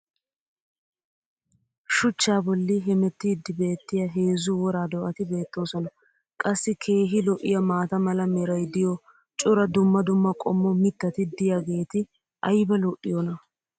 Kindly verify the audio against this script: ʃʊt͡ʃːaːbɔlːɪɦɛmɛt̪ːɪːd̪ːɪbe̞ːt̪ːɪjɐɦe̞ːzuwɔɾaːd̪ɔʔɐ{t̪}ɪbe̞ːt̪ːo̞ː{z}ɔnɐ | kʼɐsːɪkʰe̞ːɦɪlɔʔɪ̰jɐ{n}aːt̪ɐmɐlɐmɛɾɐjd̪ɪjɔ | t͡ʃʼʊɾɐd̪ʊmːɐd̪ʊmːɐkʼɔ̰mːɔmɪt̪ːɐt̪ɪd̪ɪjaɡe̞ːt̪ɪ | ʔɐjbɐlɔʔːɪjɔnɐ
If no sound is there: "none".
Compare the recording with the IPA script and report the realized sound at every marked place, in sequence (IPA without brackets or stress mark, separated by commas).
t̪, s, m